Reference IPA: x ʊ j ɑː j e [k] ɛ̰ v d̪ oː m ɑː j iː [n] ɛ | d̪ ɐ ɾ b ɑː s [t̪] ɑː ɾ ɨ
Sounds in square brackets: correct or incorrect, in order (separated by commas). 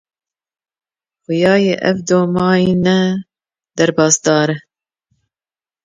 incorrect, correct, incorrect